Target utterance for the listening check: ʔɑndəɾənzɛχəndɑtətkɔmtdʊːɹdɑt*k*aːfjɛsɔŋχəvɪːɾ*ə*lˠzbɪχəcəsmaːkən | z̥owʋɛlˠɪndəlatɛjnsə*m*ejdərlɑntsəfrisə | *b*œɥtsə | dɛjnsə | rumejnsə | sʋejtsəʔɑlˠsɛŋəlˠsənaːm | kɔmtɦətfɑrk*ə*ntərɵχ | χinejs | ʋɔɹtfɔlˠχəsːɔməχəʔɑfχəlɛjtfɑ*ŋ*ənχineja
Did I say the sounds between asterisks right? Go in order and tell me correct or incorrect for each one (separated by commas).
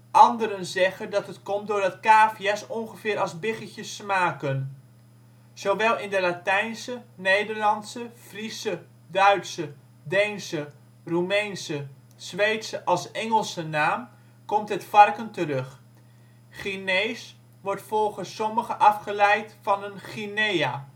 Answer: correct, incorrect, incorrect, incorrect, correct, incorrect